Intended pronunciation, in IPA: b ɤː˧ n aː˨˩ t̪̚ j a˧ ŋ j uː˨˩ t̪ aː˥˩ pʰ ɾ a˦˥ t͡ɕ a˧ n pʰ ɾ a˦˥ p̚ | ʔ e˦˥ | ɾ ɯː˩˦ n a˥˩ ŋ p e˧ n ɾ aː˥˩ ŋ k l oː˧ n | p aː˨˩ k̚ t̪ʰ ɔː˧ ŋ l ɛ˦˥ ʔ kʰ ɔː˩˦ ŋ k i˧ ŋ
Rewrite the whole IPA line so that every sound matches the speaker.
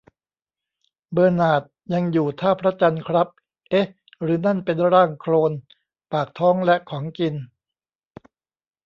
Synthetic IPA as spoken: b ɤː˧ n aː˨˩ t̪̚ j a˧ ŋ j uː˨˩ t̪ʰ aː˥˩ pʰ ɾ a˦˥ t͡ɕ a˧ n kʰ ɾ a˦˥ p̚ | ʔ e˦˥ | ɾ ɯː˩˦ n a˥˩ n p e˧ n ɾ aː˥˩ ŋ kʰ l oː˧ n | p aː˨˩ k̚ t̪ʰ ɔː˦˥ ŋ l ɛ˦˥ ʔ kʰ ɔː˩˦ ŋ k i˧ n